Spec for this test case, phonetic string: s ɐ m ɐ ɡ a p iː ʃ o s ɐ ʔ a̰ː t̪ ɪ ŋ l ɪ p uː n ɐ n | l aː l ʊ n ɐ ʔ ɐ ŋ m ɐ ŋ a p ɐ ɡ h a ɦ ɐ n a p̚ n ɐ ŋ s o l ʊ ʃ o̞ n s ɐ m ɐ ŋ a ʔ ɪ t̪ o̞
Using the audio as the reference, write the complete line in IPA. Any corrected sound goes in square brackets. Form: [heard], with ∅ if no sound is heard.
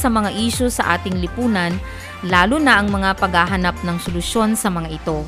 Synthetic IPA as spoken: s ɐ m ɐ [ŋ] a [ʔ] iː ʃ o s ɐ ʔ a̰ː t̪ ɪ ŋ l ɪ p uː n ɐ n | l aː l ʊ n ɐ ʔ ɐ ŋ m ɐ ŋ a p ɐ ɡ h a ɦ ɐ n a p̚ n ɐ ŋ s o l ʊ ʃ o̞ n s ɐ m ɐ ŋ a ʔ ɪ t̪ o̞